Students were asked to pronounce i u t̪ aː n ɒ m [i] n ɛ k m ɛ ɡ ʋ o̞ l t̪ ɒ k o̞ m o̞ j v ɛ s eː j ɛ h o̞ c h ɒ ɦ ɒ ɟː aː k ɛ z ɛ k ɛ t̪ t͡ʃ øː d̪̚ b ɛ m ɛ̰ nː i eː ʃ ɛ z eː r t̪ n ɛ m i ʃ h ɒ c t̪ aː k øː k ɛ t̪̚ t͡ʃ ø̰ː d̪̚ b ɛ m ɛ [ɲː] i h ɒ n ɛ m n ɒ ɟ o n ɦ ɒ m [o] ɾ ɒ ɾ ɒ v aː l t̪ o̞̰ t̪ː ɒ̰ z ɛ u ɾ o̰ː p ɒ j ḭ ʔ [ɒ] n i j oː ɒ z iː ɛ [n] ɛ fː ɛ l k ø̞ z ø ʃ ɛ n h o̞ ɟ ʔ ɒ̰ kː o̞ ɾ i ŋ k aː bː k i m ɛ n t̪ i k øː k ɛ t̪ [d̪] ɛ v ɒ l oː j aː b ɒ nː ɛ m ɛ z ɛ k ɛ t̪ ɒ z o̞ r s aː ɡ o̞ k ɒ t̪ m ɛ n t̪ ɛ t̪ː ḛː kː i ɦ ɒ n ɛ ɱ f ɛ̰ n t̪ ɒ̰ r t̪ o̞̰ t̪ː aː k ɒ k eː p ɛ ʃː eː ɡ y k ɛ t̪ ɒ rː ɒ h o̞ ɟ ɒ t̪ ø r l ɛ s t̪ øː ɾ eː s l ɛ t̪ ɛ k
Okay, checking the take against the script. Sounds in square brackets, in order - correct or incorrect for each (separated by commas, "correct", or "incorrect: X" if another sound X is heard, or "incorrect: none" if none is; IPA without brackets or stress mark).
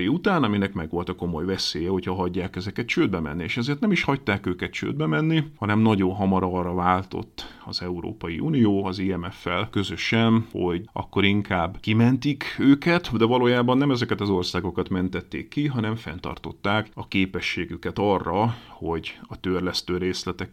correct, incorrect: nː, incorrect: ɒ, incorrect: u, incorrect: m, correct